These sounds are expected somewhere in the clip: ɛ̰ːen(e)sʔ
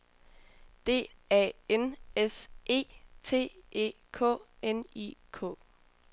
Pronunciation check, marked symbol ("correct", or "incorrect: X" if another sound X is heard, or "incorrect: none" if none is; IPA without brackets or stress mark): correct